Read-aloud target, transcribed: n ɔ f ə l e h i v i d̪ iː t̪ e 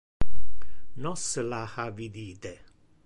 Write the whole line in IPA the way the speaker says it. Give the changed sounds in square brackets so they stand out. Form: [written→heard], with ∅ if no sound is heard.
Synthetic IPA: n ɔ [f→s] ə l [e→a] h [i→a] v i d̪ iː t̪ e